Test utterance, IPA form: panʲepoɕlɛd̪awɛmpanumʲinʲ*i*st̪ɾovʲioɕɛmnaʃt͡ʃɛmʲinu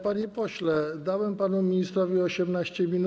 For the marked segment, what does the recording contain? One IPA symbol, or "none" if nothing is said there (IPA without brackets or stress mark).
i